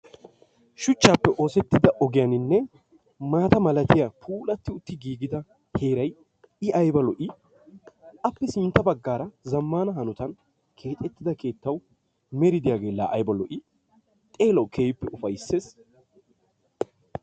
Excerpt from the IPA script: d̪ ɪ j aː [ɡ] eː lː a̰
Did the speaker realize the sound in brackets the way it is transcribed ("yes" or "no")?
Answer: yes